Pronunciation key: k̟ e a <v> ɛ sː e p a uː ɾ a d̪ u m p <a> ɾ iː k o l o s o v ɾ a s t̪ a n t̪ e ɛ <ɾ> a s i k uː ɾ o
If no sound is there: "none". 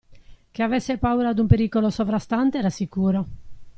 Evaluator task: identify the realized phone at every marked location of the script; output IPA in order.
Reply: v, e, ɾ

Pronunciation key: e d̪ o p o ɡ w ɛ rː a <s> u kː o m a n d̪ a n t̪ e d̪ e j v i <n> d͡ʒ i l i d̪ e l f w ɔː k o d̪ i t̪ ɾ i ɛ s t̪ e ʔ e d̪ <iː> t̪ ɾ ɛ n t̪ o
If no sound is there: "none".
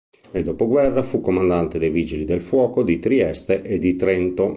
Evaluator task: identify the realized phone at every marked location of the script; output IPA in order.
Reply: f, none, i

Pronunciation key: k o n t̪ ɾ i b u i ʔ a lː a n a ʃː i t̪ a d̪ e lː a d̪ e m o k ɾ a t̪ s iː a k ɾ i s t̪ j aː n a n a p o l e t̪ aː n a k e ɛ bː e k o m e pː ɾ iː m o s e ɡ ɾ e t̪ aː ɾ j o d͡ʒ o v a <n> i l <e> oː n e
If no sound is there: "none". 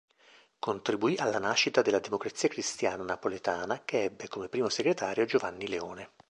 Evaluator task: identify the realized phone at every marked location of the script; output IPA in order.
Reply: nː, e

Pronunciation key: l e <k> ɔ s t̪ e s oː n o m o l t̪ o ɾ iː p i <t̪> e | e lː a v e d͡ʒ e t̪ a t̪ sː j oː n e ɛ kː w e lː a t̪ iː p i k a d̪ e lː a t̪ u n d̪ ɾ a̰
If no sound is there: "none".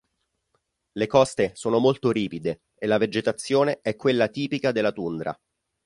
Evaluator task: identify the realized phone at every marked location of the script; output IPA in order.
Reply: k, d̪

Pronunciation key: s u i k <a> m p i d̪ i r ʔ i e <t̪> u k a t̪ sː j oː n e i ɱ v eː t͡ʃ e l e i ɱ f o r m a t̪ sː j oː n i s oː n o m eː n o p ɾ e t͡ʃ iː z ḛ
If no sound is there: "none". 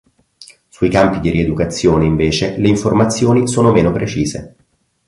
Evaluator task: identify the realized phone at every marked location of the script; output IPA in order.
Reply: a, d̪

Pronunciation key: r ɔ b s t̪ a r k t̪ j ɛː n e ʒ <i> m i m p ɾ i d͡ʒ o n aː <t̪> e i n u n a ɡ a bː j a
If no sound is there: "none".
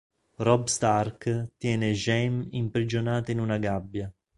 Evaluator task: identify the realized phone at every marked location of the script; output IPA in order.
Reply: ɛ, t̪

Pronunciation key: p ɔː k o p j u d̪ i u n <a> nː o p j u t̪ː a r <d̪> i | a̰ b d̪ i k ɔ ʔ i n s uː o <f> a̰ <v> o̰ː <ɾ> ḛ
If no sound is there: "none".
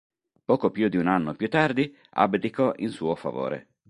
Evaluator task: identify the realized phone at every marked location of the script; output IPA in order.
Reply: a, d̪, f, v, ɾ

